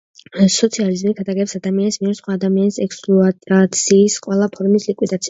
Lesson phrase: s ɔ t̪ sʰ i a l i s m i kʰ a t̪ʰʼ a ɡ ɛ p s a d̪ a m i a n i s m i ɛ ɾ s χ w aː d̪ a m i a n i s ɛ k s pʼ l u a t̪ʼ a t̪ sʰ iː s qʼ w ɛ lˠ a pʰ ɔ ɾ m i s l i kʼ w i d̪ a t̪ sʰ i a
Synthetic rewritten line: s ɔ t̪ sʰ i a l i z m i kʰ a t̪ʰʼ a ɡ ɛ p s a d̪ a m i a n i s m i ɛ ɾ s χ w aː d̪ a m i a n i s ɛ k s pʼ l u a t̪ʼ a t̪ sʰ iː s qʼ w ɛ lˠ a pʰ ɔ ɾ m i s l i kʼ w i d̪ a t̪ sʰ i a